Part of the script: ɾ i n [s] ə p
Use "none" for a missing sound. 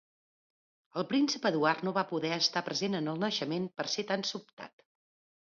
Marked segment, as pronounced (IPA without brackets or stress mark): s